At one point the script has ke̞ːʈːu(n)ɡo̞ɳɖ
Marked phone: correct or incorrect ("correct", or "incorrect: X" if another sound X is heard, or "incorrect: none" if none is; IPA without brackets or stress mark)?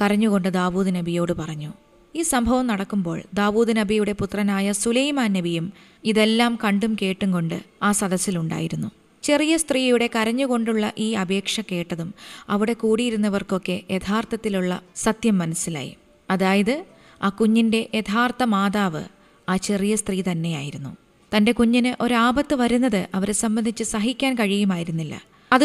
incorrect: ŋ